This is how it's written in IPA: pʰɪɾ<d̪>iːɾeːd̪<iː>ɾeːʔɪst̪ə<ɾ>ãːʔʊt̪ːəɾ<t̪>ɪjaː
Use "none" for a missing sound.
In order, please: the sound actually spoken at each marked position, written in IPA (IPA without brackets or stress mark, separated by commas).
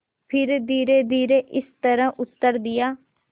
d̪, iː, ɾ, d̪